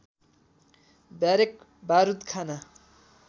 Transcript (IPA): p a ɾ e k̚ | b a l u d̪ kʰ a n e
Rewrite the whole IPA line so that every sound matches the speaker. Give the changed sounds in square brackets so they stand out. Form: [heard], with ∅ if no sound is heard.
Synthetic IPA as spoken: [b] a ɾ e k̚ | b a [ɾ] u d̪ kʰ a n [a]

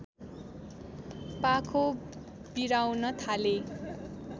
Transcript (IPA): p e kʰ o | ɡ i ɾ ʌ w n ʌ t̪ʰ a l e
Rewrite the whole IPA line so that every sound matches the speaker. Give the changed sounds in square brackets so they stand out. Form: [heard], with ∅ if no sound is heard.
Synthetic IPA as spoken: p [a] kʰ o | [b] i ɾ [a] w n ʌ t̪ʰ a l e

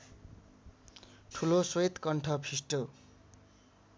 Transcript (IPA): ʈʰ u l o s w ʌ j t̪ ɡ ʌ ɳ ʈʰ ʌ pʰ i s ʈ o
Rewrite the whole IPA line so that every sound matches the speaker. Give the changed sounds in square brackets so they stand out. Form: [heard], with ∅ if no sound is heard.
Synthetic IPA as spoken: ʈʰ u l o s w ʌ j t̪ [k] ʌ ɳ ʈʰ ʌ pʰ i s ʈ o

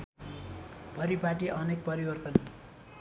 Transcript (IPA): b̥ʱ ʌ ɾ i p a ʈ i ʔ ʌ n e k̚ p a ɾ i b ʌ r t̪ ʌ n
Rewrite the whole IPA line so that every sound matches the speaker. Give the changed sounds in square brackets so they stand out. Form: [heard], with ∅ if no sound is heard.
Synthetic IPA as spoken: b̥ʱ ʌ ɾ i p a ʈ i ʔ ʌ n e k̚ p [ʌ] ɾ i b ʌ r t̪ ʌ n

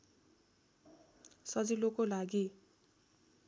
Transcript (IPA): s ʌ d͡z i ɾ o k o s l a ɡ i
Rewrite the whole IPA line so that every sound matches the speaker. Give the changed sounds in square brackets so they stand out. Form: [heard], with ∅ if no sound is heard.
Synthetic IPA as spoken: s ʌ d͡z i [l] o k o [∅] l a ɡ i

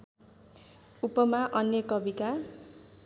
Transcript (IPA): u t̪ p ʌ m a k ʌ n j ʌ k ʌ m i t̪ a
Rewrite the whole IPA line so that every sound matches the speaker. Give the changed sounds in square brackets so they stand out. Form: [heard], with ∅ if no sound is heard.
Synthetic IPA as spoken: u [∅] p ʌ m a [ʔ] ʌ n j ʌ k ʌ [b] i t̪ a

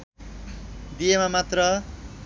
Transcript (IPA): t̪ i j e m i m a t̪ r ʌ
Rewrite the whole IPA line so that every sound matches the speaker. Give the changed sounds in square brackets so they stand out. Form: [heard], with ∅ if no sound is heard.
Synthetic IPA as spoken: [d̪] i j e m [a] m a t̪ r ʌ

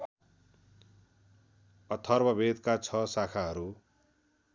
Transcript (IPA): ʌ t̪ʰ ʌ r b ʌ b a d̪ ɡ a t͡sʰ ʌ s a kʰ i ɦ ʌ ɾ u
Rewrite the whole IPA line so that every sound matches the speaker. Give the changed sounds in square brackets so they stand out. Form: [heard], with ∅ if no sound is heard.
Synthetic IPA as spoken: ʌ t̪ʰ ʌ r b ʌ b [e] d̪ [k] a t͡sʰ ʌ s a kʰ [a] ɦ ʌ ɾ u

